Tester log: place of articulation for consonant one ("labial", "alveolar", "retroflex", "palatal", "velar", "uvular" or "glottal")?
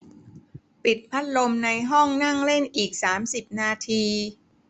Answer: labial